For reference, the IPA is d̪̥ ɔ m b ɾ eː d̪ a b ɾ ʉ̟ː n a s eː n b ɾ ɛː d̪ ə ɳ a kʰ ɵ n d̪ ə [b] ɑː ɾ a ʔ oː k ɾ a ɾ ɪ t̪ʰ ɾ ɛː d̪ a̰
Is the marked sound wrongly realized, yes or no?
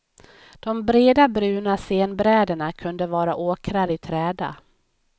yes